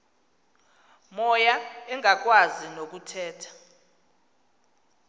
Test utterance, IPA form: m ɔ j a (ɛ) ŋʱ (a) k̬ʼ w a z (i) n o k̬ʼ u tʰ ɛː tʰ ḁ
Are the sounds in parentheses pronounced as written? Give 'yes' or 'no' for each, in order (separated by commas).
yes, yes, yes